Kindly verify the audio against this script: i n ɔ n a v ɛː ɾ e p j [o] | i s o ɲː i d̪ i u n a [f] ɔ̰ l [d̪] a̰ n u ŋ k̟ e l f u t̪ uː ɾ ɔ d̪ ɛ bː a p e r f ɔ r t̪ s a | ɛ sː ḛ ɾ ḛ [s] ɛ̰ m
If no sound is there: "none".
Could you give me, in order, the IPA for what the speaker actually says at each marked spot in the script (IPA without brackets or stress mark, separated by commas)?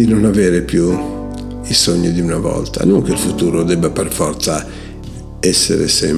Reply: u, v, t̪, s